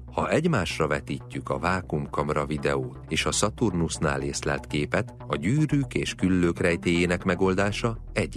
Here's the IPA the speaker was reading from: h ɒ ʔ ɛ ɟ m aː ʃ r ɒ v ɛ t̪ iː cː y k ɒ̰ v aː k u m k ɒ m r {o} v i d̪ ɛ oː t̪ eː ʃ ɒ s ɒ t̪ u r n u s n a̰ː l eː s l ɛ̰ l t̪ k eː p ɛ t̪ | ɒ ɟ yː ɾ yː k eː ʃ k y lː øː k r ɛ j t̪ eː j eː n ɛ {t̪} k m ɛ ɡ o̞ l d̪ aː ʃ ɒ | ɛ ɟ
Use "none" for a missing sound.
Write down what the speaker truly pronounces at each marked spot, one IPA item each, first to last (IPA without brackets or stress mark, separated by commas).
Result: ɒ, none